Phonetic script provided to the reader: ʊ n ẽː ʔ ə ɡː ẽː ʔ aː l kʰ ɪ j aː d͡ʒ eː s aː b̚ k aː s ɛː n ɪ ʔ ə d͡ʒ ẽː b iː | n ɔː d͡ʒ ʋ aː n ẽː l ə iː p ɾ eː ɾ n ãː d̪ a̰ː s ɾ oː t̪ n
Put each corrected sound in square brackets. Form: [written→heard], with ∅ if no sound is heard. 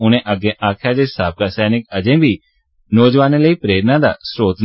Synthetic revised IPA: ʊ n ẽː ʔ ə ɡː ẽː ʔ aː [l→∅] kʰ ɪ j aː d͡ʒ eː s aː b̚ k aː s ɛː n ɪ [ʔ→k] ə d͡ʒ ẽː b iː | n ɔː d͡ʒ ʋ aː n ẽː l ə iː p ɾ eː ɾ n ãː d̪ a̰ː s ɾ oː t̪ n